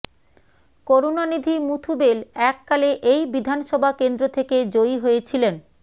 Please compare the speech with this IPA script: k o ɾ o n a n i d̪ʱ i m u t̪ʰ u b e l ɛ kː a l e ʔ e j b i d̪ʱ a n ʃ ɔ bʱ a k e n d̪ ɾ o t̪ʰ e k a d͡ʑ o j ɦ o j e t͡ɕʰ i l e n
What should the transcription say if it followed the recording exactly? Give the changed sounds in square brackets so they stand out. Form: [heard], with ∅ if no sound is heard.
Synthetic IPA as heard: k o ɾ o n a n i d̪ʱ i m u t̪ʰ u b e l ɛ kː a l e ʔ e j b i d̪ʱ a n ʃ ɔ bʱ a k e n d̪ ɾ o t̪ʰ e k [e] d͡ʑ o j ɦ o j e t͡ɕʰ i l e n